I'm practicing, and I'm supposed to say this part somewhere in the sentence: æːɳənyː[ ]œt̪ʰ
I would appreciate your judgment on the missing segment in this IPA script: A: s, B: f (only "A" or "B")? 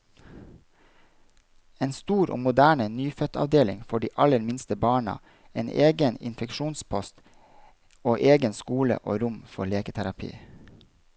B